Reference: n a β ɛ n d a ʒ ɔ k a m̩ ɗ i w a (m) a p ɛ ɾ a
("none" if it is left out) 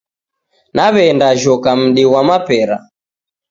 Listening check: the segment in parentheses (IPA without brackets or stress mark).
m